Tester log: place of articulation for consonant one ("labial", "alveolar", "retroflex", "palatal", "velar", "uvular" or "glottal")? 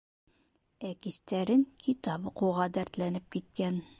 velar